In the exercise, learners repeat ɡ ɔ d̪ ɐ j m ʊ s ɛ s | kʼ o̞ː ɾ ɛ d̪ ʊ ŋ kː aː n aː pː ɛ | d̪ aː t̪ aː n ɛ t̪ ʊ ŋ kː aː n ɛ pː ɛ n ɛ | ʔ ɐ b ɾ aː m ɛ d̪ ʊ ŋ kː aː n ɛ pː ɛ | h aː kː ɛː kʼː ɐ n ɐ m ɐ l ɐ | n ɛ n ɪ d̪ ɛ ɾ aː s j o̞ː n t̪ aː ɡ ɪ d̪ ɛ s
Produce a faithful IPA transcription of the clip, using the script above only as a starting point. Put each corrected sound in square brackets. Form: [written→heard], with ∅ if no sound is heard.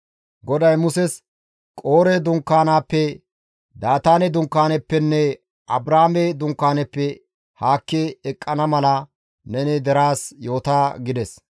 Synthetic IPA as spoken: ɡ ɔ d̪ ɐ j m ʊ s ɛ s | kʼ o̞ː ɾ ɛ d̪ ʊ ŋ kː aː n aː pː ɛ | d̪ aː t̪ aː n ɛ [t̪→d̪] ʊ ŋ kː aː n ɛ pː ɛ [n→nː] ɛ | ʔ ɐ b ɾ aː m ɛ d̪ ʊ ŋ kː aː n ɛ pː ɛ | h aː kː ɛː kʼː ɐ n ɐ m ɐ l ɐ | n ɛ n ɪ d̪ ɛ ɾ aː s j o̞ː [n→∅] t̪ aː ɡ ɪ d̪ ɛ s

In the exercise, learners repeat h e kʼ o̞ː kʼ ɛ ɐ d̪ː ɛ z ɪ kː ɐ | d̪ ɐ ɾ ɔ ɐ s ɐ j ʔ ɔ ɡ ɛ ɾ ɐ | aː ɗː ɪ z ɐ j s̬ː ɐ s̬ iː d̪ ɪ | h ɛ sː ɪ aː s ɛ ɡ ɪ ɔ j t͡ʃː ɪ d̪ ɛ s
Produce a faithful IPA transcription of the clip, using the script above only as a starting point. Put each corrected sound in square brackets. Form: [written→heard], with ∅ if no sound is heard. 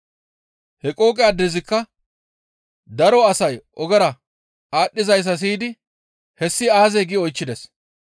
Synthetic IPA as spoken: h [e→ɛ] kʼ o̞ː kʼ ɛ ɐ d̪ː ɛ z ɪ kː ɐ | d̪ ɐ ɾ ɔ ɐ s ɐ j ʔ ɔ ɡ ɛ ɾ ɐ | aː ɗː ɪ z ɐ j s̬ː ɐ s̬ iː d̪ ɪ | h ɛ sː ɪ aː [s→z] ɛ ɡ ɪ ɔ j t͡ʃː ɪ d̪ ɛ s

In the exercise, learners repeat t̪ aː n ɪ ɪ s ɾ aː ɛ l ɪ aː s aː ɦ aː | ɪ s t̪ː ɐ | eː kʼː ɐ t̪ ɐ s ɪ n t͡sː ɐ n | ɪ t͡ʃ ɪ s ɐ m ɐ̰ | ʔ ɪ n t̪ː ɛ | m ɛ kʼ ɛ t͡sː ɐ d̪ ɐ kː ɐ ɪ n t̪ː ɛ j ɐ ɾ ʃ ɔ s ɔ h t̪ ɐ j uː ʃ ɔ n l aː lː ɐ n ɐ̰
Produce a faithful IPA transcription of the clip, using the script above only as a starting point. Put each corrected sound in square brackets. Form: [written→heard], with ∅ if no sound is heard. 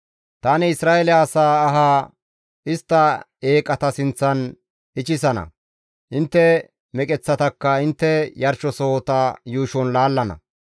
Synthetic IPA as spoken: t̪ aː n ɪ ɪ s ɾ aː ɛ l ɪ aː s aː ɦ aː | ɪ s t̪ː ɐ | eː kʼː ɐ t̪ ɐ s ɪ n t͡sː ɐ n | ɪ t͡ʃ ɪ s ɐ [m→n] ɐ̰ | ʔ ɪ n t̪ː ɛ | m ɛ kʼ ɛ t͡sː ɐ [d̪→t̪] ɐ kː ɐ ɪ n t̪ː ɛ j ɐ ɾ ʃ ɔ s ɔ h t̪ ɐ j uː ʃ ɔ n l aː lː ɐ n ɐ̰

